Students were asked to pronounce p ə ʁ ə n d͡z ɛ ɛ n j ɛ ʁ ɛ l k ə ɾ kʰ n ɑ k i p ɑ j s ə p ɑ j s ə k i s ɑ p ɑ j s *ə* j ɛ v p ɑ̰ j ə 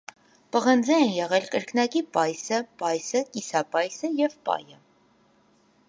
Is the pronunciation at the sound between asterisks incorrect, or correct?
correct